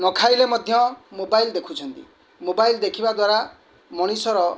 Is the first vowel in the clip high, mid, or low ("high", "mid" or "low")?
mid